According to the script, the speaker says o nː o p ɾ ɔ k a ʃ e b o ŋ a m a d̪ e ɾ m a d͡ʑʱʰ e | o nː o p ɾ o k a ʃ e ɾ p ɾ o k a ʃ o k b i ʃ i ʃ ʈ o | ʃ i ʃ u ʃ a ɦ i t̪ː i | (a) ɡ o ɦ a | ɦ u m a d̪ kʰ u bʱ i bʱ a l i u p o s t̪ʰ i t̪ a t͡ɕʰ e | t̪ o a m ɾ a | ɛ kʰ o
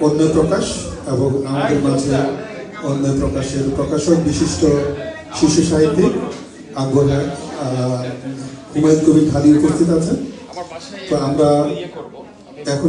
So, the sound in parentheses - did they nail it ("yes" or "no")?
yes